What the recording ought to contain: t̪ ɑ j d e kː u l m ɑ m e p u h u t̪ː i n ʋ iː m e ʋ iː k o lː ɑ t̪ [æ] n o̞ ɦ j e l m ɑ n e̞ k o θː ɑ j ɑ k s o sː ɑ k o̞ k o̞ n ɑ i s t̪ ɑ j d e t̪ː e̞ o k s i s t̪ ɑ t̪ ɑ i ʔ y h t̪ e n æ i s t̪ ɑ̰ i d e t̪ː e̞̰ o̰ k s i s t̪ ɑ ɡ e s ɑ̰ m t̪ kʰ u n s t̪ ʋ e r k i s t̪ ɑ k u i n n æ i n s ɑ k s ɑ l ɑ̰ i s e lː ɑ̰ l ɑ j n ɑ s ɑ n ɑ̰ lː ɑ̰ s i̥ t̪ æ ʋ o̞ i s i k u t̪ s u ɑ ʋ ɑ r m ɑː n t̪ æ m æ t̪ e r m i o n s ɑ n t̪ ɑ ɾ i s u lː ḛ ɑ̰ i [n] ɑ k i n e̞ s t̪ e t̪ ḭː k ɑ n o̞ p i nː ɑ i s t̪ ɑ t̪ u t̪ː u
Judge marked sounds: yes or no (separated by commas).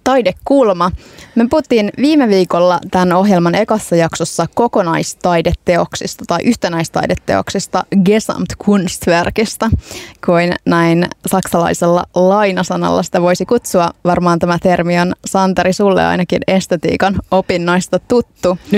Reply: yes, yes